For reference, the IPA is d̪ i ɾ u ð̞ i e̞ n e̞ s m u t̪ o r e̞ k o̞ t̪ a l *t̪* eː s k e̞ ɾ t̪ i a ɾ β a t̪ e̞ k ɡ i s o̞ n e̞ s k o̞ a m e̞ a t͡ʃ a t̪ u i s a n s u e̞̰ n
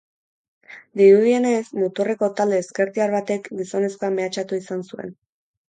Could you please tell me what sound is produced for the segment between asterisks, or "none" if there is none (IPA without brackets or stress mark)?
d̪